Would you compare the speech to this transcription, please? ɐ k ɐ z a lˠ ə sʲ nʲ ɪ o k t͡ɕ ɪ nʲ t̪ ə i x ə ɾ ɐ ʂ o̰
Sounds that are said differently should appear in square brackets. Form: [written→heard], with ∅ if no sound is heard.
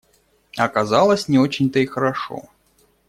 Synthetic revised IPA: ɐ k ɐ z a lˠ ə sʲ nʲ ɪ o [k→∅] t͡ɕ ɪ nʲ t̪ ə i x ə ɾ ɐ ʂ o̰